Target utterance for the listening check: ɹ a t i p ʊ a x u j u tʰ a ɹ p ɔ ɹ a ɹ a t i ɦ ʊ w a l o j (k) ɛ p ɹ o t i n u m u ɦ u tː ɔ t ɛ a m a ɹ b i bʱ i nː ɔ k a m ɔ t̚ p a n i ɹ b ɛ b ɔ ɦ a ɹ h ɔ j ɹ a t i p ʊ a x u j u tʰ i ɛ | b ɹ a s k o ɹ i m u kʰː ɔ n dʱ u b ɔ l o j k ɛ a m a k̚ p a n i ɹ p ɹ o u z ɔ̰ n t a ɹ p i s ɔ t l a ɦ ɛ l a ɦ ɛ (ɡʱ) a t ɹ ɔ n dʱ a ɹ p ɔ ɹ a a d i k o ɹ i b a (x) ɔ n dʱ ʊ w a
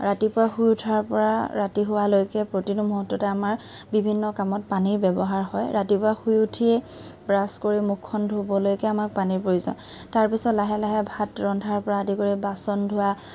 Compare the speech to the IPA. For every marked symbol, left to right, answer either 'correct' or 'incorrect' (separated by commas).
correct, incorrect, incorrect